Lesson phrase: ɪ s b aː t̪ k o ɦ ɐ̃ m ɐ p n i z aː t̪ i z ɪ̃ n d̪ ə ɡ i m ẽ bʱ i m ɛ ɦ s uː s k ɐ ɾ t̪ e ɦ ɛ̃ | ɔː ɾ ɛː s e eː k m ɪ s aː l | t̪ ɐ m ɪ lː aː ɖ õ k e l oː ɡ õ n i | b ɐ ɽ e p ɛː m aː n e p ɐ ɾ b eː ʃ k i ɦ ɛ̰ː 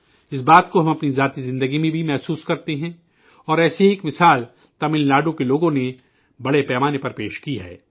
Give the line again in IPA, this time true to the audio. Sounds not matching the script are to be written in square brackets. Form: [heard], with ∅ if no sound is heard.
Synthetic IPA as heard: ɪ s b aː t̪ k o ɦ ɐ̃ m ɐ p n i z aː t̪ i z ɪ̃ n d̪ ə ɡ i m ẽ bʱ i m ɛ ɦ s uː s k ɐ ɾ t̪ e ɦ ɛ̃ | ɔː ɾ ɛː s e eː k m ɪ s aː l | t̪ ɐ m ɪ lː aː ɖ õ k e l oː ɡ õ n [e] | b ɐ ɽ e p ɛː m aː n e p ɐ ɾ [p] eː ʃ k i ɦ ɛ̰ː